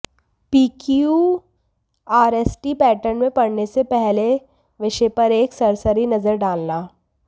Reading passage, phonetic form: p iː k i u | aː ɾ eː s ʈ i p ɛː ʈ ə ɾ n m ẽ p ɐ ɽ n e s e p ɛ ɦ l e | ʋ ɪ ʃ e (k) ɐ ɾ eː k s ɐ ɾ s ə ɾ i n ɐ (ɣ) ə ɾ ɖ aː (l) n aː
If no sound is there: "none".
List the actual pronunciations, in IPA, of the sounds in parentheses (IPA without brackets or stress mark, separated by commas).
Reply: p, z, l